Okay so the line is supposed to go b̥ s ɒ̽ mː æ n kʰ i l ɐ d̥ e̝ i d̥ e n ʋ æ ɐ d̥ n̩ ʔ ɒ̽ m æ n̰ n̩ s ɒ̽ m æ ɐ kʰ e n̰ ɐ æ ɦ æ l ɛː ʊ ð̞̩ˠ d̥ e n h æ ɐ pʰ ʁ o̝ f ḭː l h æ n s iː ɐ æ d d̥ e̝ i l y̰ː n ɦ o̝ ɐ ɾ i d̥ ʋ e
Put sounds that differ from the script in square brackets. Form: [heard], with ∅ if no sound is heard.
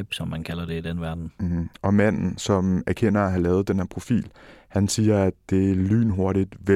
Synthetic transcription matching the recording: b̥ s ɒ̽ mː æ n kʰ [æ] l ɐ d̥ e̝ i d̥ e n ʋ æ ɐ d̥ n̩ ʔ ɒ̽ m æ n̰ n̩ s ɒ̽ m æ ɐ kʰ e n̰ ɐ æ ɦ æ l ɛː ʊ ð̞̩ˠ d̥ e n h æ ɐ pʰ ʁ o̝ f ḭː l h æ n s iː ɐ æ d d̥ e̝ [æ] l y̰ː n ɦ o̝ ɐ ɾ i d̥ ʋ e